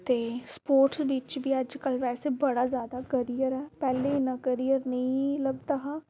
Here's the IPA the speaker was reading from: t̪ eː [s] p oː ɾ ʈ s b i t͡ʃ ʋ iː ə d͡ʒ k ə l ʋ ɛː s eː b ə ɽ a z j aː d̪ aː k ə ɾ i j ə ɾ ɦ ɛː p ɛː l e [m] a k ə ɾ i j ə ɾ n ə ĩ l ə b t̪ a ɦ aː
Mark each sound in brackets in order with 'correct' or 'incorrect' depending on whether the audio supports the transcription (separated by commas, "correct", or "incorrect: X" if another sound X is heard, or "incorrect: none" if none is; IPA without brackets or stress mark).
correct, incorrect: n